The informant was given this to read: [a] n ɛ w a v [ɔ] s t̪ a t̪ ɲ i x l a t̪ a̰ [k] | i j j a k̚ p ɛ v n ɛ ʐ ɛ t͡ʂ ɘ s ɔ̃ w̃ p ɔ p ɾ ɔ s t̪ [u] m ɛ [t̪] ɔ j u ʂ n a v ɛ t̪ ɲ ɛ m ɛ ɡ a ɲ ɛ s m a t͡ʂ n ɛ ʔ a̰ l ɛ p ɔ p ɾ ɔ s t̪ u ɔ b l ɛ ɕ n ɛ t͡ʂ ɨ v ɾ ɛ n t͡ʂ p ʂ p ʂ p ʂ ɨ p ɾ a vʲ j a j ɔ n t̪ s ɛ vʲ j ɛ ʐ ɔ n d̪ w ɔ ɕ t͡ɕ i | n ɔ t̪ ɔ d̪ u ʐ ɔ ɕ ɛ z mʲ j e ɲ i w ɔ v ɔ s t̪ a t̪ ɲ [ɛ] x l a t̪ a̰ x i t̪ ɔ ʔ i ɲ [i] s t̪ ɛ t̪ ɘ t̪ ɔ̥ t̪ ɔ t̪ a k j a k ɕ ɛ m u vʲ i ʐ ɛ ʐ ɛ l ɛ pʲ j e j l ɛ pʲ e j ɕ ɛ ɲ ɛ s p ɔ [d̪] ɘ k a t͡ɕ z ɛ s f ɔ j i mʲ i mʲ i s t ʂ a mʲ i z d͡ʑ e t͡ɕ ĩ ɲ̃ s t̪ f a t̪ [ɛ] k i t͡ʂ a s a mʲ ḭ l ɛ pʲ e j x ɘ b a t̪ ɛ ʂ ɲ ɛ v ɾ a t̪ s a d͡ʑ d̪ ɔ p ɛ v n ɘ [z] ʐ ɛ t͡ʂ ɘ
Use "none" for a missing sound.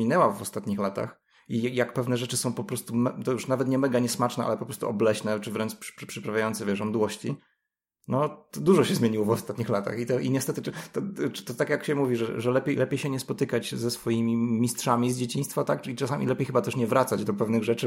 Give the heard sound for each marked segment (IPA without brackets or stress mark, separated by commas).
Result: i, ɔ, x, u, t̪, i, ɛ, t̪, a, ɣ